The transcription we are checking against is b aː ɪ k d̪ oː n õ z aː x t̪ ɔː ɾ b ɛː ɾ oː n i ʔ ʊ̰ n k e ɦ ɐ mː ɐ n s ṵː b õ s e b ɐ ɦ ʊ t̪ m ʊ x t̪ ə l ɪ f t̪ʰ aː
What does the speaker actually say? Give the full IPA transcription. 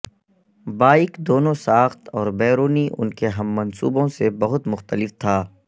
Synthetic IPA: b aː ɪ k d̪ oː n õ s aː x t̪ ɔː ɾ b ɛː ɾ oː n i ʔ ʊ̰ n k e ɦ ɐ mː ɐ n s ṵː b õ s e b ɐ ɦ ʊ t̪ m ʊ x t̪ ə l ɪ f t̪ʰ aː